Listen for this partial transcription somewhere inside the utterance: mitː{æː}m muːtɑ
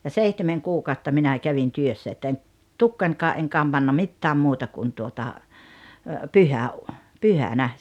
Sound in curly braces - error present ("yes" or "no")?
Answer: no